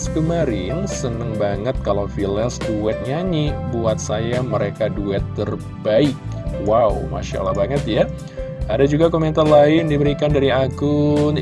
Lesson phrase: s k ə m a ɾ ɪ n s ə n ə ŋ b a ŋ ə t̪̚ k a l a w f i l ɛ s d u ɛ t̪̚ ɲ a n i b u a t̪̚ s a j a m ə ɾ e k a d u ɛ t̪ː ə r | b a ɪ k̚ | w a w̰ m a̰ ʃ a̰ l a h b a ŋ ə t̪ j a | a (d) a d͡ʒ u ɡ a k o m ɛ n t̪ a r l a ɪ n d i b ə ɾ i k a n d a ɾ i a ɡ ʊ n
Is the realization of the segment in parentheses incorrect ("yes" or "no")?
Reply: no